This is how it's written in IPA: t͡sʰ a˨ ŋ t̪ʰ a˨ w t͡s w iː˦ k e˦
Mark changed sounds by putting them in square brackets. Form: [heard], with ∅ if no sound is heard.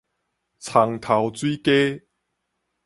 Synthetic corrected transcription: t͡sʰ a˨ ŋ t̪ʰ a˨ w t͡s w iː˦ k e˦